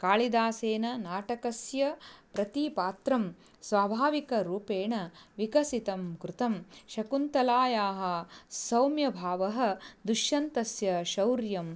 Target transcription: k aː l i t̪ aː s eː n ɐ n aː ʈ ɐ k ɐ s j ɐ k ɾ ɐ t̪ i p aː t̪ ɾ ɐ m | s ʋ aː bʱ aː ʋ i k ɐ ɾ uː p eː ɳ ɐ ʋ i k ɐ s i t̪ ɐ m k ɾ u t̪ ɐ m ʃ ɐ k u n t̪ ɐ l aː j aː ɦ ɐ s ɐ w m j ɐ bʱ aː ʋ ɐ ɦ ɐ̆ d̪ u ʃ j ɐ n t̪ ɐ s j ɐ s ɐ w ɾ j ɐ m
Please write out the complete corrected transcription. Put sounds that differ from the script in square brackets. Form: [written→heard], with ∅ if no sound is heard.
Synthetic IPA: k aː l i [t̪→d̪] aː s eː n ɐ n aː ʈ ɐ k ɐ s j ɐ [k→p] ɾ ɐ t̪ i p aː t̪ ɾ ɐ m | s ʋ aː bʱ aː ʋ i k ɐ ɾ uː p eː ɳ ɐ ʋ i k ɐ s i t̪ ɐ m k ɾ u t̪ ɐ m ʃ ɐ k u n t̪ ɐ l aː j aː ɦ ɐ s ɐ w m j ɐ bʱ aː ʋ ɐ ɦ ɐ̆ d̪ u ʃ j ɐ n t̪ ɐ s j ɐ [s→ʃ] ɐ w ɾ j ɐ m